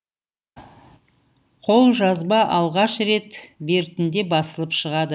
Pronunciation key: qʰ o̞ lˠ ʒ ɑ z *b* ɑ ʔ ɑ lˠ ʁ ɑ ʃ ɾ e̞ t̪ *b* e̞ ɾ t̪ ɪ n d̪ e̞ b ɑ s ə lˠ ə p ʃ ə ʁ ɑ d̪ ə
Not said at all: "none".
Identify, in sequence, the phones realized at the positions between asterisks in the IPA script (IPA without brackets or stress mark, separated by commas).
b, b